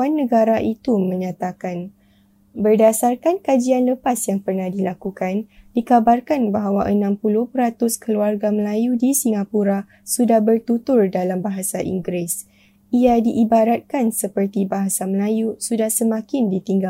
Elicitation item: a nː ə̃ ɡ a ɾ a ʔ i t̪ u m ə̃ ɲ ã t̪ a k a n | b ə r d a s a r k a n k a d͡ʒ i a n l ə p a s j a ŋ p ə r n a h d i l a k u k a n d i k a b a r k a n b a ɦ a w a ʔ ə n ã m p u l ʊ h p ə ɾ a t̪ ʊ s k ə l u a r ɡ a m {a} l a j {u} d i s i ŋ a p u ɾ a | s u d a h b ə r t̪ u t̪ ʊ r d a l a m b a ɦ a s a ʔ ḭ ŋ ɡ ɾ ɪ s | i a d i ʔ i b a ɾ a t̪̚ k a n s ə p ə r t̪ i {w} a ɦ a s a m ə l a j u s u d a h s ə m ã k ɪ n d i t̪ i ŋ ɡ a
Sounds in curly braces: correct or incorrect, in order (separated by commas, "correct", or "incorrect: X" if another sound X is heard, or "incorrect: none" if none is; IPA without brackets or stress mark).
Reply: incorrect: ə, correct, incorrect: b